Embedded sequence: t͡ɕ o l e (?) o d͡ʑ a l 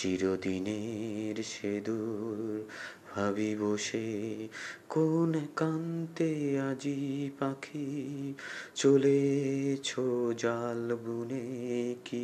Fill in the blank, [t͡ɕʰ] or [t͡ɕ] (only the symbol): t͡ɕʰ